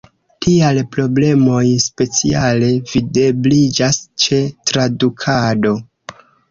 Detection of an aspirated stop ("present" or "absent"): present